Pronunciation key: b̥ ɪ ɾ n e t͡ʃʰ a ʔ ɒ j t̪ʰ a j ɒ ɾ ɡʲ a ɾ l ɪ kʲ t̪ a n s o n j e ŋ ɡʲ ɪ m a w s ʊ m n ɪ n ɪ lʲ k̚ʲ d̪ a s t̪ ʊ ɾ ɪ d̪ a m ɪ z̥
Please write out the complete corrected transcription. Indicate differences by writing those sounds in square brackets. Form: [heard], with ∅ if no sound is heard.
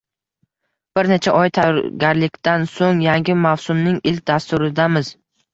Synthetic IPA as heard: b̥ ɪ ɾ n e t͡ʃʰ a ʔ ɒ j t̪ʰ a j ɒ ɾ ɡʲ a ɾ l ɪ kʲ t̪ a n s o [ŋ] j [a] ŋ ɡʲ ɪ m a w s ʊ m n ɪ [ŋ] ɪ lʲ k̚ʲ d̪ a s t̪ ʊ ɾ ɪ d̪ a m ɪ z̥